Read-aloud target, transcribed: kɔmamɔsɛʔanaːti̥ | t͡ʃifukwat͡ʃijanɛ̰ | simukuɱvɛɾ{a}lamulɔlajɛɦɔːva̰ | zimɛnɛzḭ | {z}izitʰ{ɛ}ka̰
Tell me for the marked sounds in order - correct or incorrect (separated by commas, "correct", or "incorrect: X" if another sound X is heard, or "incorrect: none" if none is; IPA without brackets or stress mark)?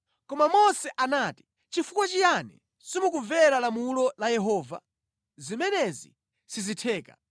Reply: correct, incorrect: s, incorrect: ɛː